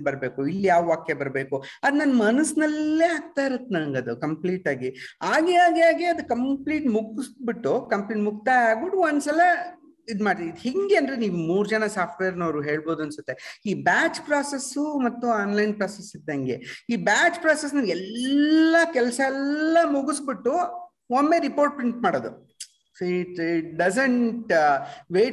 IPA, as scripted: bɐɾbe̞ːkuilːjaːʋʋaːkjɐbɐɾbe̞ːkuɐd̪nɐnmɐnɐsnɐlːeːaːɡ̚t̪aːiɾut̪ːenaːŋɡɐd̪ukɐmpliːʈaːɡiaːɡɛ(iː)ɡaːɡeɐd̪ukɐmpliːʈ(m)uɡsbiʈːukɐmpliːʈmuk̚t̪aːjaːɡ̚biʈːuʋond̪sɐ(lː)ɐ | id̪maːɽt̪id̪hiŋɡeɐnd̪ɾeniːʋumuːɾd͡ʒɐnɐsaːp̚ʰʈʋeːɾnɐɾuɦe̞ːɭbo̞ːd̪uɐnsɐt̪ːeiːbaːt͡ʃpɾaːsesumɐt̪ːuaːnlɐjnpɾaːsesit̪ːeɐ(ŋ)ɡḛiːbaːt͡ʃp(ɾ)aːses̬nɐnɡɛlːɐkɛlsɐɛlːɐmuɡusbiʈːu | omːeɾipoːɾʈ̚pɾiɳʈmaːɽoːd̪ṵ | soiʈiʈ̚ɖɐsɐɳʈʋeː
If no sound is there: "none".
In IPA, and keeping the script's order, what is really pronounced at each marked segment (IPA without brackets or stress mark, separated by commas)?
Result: aː, m, l, ŋ, ɾ